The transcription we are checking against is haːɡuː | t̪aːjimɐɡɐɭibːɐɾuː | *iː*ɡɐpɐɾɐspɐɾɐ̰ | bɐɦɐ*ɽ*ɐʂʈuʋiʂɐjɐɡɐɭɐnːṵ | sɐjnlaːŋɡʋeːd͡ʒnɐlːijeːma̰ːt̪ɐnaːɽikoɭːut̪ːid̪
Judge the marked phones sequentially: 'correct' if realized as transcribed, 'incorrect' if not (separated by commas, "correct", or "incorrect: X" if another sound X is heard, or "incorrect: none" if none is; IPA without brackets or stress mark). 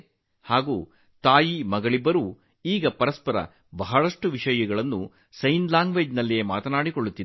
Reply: correct, incorrect: ɭ